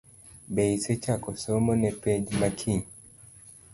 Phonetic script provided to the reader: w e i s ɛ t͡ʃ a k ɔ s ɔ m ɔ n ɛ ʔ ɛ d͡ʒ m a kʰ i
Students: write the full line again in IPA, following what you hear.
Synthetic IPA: b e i s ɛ t͡ʃ a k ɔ s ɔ m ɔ n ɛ p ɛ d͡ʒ m a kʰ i